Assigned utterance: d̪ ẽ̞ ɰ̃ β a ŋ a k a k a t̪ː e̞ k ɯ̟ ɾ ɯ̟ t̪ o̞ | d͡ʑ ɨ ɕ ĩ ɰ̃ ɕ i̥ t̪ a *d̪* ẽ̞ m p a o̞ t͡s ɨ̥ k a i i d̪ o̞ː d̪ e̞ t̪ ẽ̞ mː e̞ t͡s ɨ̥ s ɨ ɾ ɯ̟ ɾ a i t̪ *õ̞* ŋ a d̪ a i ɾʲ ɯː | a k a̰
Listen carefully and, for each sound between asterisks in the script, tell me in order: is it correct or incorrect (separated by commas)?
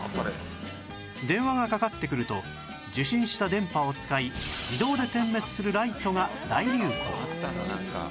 correct, incorrect